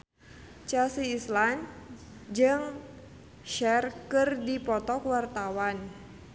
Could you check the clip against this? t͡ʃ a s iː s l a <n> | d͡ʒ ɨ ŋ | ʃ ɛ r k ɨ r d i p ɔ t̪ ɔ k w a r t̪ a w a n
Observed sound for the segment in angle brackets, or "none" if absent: n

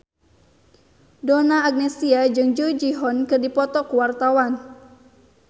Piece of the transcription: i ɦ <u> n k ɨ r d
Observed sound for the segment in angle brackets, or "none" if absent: ɔ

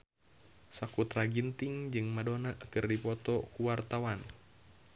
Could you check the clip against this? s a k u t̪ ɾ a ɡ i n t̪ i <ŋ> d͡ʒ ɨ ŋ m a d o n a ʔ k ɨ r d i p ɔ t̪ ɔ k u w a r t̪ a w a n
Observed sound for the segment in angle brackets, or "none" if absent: ŋ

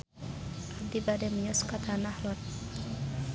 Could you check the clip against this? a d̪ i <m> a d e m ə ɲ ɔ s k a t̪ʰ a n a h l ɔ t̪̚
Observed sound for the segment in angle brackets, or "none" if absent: b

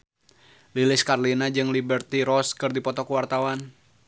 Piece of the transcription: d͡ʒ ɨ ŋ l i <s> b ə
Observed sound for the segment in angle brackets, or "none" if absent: none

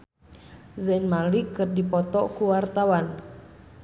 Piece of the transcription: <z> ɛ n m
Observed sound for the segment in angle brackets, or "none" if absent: z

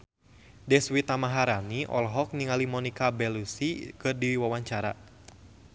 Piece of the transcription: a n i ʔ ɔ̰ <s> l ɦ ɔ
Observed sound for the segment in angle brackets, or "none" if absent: none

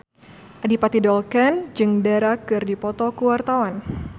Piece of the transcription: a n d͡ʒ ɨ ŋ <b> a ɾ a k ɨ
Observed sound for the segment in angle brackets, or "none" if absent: d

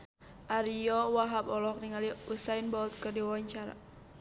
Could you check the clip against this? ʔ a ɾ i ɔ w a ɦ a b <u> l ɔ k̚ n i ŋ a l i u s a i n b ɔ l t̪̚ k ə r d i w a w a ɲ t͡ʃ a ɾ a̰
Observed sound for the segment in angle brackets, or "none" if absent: ɔ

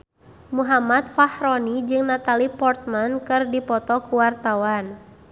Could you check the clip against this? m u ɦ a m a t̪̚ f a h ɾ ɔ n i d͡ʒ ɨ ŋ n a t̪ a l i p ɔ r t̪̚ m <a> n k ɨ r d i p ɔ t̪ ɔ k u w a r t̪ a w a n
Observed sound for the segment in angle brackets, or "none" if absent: a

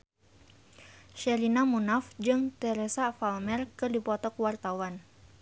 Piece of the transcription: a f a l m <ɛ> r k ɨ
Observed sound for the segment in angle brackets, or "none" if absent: ɛ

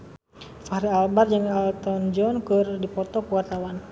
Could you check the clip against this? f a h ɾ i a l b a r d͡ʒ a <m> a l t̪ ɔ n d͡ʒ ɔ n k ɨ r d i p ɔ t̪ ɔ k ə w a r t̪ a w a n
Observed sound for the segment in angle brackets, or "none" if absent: ŋ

